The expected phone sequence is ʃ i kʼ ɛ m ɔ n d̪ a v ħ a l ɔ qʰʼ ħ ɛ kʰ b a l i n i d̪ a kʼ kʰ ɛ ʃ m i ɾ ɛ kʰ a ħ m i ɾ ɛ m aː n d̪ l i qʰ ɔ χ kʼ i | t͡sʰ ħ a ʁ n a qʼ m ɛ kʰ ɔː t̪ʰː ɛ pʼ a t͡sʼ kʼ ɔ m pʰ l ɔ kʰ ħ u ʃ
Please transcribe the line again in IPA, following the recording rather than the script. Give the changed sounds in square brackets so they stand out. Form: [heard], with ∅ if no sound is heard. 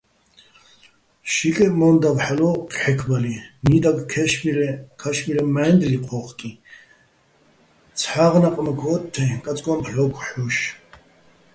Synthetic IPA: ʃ i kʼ ɛ m ɔ n d̪ a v ħ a l ɔ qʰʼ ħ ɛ kʰ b a l i n i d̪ a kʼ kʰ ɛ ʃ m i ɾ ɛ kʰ a [ʃ] m i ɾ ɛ m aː n d̪ l i qʰ ɔ χ kʼ i | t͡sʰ ħ a ʁ n a qʼ m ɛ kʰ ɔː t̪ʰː ɛ [kʼ] a t͡sʼ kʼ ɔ m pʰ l ɔ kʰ ħ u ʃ